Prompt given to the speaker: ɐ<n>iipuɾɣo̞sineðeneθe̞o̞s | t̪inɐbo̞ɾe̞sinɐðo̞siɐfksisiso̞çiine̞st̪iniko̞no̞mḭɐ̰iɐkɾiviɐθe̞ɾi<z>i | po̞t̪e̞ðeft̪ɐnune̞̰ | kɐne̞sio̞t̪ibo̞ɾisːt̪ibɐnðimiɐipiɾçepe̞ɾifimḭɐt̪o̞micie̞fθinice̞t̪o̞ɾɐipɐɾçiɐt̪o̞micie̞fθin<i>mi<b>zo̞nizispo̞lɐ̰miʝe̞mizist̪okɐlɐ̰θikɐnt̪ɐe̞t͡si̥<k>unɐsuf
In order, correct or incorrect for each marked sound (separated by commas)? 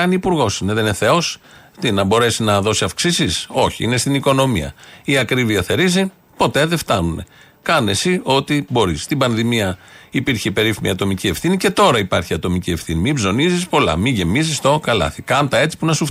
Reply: correct, correct, correct, correct, incorrect